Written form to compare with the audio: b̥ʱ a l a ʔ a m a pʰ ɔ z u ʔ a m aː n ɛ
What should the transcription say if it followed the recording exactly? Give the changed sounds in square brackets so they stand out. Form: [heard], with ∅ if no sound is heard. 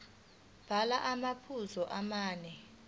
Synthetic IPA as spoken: b̥ʱ a l a ʔ a m a pʰ [u] z [ɔ] ʔ a m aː n ɛ